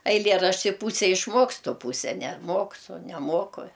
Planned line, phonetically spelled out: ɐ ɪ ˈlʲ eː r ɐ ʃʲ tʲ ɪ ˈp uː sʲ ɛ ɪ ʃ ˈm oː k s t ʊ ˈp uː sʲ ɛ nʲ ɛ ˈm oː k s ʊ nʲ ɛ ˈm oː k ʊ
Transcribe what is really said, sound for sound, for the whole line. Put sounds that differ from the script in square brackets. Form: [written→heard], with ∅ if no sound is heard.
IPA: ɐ ɪ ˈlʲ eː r ɐ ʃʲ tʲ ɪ ˈp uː sʲ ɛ ɪ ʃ ˈm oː k s t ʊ ˈp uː sʲ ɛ nʲ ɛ ˈm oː k s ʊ nʲ ɛ ˈm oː k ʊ